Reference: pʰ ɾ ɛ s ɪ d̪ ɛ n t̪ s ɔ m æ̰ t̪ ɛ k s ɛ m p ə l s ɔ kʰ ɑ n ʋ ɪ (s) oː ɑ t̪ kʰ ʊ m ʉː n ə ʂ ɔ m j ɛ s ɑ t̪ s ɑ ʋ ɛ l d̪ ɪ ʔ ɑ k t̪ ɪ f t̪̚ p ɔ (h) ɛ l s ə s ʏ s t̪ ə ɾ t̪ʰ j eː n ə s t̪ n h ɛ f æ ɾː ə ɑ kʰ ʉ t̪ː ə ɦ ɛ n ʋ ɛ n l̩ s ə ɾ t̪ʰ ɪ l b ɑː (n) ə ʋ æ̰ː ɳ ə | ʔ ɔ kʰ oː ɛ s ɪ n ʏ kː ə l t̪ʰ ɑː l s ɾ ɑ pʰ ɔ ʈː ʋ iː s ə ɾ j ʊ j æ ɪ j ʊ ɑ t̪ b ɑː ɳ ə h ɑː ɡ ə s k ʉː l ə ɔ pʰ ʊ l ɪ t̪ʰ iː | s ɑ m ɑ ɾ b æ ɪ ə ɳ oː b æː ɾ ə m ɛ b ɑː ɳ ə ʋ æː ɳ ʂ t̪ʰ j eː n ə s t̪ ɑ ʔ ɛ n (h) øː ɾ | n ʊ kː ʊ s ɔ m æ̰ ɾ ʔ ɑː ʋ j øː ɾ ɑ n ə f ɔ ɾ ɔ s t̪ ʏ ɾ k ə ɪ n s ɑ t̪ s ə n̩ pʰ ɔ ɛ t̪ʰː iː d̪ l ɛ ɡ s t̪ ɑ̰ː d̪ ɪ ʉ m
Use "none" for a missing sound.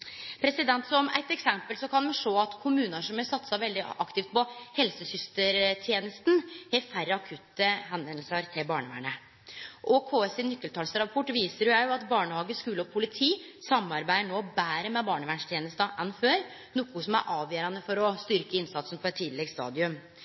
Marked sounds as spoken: ʂ, h, ɳ, f

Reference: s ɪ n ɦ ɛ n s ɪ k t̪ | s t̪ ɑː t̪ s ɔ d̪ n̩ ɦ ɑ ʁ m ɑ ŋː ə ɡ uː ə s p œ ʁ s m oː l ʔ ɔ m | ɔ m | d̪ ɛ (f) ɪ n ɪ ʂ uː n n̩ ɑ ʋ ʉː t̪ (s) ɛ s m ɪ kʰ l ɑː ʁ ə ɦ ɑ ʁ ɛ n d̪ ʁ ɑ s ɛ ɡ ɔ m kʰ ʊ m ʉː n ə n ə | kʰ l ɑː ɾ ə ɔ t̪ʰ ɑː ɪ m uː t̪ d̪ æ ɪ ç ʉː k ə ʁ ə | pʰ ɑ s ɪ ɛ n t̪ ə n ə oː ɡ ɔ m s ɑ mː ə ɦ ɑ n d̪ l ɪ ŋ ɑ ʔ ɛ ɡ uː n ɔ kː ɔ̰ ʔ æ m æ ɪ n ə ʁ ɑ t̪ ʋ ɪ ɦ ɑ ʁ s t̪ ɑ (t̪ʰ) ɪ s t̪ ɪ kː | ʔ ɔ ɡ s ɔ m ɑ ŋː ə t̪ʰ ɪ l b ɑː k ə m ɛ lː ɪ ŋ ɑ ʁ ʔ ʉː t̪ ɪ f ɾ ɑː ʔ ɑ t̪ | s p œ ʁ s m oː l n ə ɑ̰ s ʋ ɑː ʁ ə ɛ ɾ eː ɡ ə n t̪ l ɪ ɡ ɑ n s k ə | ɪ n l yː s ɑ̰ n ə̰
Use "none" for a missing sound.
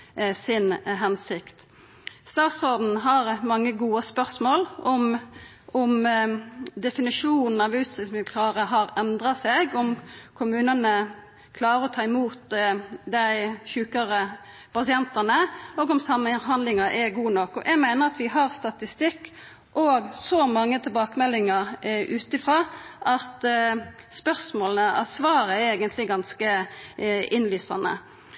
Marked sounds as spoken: f, s, t̪

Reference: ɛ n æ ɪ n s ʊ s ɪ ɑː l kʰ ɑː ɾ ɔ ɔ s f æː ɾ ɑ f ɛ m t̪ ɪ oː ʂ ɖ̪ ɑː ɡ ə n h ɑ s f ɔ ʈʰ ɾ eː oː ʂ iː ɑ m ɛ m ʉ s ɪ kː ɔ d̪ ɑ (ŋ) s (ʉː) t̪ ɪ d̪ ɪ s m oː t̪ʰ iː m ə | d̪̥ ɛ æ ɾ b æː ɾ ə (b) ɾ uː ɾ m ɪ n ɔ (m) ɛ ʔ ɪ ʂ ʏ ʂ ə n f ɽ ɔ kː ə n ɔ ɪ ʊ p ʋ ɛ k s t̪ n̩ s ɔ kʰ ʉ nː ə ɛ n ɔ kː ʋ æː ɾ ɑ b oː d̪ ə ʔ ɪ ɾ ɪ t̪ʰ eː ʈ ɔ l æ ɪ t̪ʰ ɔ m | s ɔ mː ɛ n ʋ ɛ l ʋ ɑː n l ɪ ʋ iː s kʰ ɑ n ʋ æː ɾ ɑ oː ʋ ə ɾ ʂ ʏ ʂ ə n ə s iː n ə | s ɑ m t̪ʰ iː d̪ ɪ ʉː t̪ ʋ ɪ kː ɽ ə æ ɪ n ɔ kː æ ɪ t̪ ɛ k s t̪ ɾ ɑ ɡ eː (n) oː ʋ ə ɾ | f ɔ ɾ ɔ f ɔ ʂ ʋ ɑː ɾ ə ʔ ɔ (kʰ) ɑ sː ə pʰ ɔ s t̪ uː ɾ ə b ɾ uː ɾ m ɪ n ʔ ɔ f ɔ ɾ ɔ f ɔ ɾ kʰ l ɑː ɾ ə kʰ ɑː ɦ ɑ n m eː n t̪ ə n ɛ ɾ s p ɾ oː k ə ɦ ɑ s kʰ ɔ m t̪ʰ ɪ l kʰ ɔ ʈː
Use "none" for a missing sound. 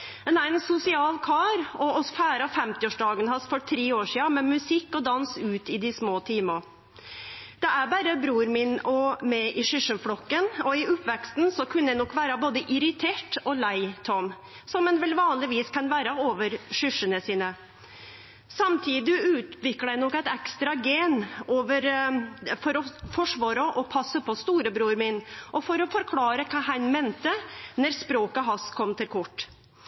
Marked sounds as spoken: n, ʉː, b, m, n, pʰ

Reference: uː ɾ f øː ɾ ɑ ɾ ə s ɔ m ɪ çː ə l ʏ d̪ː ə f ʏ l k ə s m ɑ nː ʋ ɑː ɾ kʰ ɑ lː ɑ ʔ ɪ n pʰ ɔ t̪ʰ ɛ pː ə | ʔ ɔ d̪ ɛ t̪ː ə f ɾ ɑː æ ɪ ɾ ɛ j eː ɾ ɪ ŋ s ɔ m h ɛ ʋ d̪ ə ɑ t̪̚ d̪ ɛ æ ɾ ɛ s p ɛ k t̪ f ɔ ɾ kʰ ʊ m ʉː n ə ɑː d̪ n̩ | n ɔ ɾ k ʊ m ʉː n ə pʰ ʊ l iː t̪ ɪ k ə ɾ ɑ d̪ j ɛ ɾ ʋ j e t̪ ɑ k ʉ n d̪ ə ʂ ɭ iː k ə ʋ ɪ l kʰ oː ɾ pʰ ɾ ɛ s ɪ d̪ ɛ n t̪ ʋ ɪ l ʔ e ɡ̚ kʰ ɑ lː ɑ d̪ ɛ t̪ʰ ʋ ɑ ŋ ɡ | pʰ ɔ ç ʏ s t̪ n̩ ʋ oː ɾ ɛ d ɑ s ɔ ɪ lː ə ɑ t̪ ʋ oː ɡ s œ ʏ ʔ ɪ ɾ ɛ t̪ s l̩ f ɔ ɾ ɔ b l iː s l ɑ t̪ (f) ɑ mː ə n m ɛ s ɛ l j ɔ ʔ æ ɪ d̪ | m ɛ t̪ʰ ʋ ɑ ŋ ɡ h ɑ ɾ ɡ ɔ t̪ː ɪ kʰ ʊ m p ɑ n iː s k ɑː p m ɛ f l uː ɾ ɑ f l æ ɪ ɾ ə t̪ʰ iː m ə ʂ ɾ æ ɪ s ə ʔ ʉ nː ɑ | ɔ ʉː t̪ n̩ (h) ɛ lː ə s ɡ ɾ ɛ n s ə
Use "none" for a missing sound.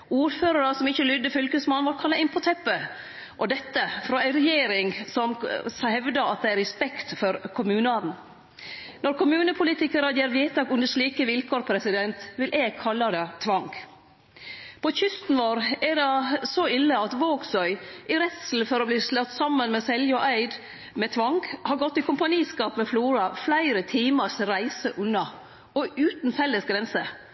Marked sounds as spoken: s, f

